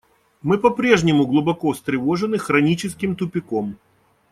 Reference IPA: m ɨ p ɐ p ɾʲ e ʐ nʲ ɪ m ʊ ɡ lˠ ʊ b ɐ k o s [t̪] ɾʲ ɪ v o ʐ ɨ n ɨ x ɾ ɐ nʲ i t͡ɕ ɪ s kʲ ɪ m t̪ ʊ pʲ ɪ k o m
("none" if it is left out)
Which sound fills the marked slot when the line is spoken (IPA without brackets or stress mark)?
t̪